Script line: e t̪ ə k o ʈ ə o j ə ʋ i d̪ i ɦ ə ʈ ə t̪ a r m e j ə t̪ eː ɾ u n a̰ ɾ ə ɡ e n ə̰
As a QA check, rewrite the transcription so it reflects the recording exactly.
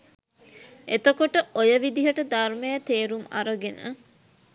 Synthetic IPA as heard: e t̪ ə k o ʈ ə o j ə ʋ i d̪ i ɦ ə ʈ ə d̪ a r m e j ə t̪ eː ɾ u m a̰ ɾ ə ɡ e n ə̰